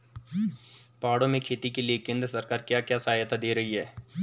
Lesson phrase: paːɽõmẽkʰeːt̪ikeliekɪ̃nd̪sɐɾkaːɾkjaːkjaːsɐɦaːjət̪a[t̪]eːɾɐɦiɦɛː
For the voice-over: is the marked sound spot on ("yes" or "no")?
no